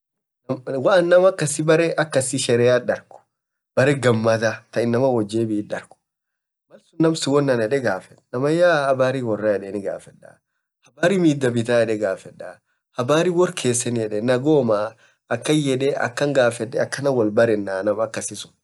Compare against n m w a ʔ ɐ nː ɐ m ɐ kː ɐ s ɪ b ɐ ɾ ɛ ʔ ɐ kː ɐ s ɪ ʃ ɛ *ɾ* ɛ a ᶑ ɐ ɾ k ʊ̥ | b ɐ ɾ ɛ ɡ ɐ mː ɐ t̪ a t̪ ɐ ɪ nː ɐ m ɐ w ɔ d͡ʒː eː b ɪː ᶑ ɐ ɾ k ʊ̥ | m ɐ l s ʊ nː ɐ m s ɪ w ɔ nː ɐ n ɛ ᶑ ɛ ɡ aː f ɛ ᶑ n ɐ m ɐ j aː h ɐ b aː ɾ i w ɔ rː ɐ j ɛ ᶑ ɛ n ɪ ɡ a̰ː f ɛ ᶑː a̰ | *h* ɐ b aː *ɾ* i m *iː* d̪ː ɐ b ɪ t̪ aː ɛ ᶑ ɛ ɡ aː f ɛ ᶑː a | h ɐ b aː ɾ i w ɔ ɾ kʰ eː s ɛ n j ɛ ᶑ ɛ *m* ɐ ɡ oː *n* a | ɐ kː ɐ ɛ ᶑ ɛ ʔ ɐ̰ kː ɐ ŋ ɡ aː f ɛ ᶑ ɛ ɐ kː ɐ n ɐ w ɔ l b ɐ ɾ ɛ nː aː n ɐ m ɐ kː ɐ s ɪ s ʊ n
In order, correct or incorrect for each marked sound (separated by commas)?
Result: correct, correct, correct, correct, incorrect, incorrect